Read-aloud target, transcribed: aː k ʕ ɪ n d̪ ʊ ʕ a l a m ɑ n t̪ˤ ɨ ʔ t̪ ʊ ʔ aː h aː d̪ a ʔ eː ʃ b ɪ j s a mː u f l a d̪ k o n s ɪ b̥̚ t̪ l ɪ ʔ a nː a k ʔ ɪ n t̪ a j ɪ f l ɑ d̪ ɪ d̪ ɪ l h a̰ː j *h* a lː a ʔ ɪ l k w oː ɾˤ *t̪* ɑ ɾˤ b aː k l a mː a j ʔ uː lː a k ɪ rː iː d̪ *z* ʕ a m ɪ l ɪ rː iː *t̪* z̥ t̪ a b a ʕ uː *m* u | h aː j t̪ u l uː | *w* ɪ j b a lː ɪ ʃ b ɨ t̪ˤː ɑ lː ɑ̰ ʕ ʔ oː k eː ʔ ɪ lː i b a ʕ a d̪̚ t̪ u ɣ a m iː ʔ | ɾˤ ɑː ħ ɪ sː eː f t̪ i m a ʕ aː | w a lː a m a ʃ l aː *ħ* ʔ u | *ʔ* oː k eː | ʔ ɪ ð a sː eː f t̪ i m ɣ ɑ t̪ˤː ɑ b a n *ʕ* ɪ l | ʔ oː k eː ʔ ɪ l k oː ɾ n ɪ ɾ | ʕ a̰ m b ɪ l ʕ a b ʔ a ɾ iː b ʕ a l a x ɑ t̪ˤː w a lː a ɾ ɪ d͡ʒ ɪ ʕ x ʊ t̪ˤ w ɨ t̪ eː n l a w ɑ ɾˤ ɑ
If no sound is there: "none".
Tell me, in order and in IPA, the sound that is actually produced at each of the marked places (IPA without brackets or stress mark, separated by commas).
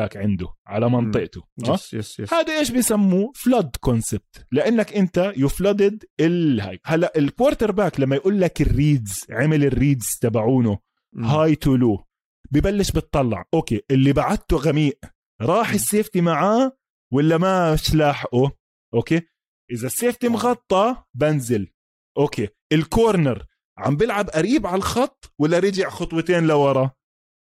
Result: h, t̪, z, d̪, n, b, ħ, ʔ, z